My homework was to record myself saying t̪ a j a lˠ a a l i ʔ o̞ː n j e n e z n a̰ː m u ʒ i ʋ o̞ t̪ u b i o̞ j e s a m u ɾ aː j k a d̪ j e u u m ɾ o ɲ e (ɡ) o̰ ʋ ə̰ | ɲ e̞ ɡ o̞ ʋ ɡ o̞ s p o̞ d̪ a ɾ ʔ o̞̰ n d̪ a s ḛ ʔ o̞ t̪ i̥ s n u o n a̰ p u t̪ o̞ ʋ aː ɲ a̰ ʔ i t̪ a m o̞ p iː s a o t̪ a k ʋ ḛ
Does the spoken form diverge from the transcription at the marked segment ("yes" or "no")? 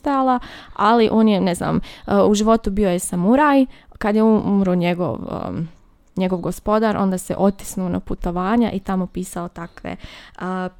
no